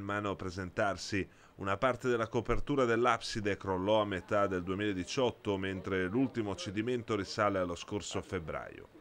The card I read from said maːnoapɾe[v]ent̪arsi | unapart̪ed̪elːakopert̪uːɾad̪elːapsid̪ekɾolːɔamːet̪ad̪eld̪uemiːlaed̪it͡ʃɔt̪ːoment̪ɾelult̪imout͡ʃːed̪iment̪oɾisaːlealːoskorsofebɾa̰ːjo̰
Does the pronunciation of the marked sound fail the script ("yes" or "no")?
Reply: yes